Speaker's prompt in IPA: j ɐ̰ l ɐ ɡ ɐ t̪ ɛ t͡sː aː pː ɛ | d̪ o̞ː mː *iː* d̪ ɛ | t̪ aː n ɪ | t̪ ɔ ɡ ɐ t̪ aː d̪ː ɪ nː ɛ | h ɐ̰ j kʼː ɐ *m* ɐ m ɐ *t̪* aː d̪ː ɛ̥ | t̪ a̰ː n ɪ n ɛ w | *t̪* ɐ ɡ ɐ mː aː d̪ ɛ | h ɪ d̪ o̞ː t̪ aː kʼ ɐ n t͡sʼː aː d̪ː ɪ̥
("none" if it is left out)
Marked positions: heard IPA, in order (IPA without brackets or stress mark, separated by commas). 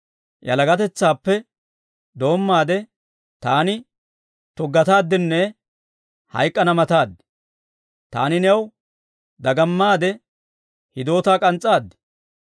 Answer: aː, n, t̪, d̪